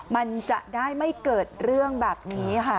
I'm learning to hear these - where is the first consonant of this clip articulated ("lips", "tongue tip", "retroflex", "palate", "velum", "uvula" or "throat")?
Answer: lips